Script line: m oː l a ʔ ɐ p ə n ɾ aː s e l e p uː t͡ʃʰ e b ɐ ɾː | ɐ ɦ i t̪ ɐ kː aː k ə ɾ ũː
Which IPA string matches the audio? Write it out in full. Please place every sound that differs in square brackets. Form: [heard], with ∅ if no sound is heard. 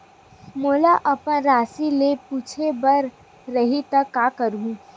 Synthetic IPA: m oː l a ʔ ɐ p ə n ɾ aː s [i] l e p uː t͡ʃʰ e b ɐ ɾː | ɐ ɦ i t̪ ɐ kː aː k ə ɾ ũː